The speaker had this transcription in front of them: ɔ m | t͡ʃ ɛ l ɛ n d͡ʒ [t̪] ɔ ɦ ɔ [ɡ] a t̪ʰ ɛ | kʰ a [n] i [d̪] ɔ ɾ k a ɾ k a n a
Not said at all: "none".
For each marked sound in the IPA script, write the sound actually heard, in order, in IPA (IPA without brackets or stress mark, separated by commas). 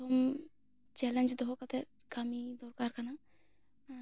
d̪, k, m, d̪